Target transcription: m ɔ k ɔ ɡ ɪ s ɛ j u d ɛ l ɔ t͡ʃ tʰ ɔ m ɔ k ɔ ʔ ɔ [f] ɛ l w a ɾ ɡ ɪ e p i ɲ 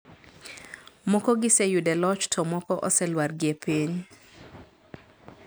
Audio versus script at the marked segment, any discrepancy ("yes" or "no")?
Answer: yes